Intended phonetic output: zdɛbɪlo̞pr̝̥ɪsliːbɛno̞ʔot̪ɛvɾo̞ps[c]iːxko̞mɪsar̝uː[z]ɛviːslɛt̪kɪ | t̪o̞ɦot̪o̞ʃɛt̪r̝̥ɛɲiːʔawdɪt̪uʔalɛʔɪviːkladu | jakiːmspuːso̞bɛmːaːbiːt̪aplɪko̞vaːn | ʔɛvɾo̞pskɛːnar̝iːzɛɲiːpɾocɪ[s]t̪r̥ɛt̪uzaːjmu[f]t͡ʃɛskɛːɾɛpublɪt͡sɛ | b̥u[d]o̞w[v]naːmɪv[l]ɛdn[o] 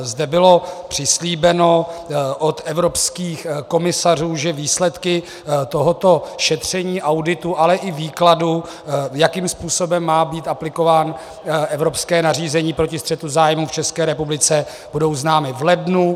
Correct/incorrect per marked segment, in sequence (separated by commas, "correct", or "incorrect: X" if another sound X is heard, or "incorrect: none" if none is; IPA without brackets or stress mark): incorrect: k, incorrect: ʒ, correct, correct, correct, incorrect: z, correct, incorrect: u